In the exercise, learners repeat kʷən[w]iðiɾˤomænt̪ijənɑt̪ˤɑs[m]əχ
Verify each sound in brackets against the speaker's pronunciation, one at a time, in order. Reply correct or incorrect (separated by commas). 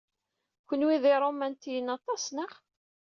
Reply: correct, incorrect